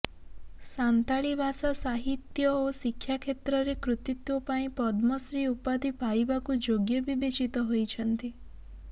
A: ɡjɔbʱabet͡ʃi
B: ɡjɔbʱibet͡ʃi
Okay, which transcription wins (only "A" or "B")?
B